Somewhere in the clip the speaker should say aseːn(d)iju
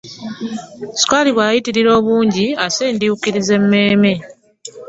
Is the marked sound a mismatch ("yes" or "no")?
no